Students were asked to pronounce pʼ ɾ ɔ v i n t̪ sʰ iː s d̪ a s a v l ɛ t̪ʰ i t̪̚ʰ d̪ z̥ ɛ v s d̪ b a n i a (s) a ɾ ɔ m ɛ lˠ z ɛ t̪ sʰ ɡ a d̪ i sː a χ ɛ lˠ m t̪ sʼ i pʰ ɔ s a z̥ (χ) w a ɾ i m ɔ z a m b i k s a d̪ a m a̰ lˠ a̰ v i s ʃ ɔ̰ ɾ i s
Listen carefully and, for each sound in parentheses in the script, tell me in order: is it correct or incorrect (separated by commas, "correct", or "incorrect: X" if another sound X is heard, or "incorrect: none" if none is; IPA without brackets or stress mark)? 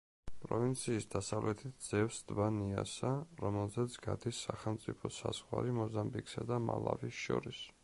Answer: correct, incorrect: ʁ